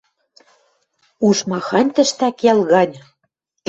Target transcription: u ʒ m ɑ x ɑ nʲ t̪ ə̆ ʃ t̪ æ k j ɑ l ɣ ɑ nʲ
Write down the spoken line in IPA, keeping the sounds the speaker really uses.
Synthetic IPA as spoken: u ʃ m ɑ x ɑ nʲ t̪ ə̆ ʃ t̪ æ k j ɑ l ɣ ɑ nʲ